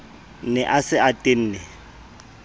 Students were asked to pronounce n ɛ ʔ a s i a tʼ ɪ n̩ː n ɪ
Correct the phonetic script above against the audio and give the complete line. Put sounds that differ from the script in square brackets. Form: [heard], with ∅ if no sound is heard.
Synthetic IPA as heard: n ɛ ʔ a s [ɪ] a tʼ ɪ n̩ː n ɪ